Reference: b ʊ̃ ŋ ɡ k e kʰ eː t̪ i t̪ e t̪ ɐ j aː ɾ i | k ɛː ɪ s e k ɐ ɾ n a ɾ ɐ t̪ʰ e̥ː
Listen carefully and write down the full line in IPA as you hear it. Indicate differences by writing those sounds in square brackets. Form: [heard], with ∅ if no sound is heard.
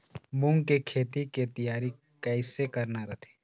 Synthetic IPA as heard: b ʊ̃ ŋ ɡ k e kʰ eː t̪ i t̪ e t̪ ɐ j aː ɾ i | k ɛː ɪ s e k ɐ ɾ n a ɾ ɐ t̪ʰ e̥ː